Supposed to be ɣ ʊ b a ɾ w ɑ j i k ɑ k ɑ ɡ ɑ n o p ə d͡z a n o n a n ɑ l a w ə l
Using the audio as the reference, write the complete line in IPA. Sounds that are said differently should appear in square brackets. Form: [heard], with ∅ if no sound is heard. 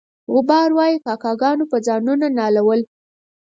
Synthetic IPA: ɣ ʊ b [ɑ] ɾ w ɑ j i k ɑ k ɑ ɡ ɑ n o p ə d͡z [ɑ] n [u] n a n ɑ l a w ə l